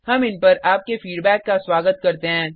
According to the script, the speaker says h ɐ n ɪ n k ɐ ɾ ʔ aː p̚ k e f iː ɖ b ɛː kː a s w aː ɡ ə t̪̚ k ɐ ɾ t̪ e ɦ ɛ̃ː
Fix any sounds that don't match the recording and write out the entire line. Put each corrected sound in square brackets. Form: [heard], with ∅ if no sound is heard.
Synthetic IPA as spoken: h ɐ [m] ɪ n [p] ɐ ɾ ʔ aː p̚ k e f iː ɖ b ɛː kː a s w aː ɡ ə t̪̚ k ɐ ɾ t̪ e ɦ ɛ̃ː